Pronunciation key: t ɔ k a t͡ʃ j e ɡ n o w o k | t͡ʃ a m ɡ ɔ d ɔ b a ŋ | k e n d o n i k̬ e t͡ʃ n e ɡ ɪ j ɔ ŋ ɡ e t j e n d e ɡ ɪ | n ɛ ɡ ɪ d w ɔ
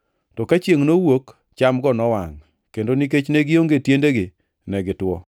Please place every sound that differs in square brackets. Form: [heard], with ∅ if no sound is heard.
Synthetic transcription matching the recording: t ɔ k a t͡ʃ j e [ŋ] n o w o k | t͡ʃ a m ɡ ɔ [n] ɔ [w] a ŋ | k e n d o n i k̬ e t͡ʃ n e ɡ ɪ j [o] ŋ ɡ e t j e n d e ɡ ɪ | n ɛ ɡ ɪ [t] w ɔ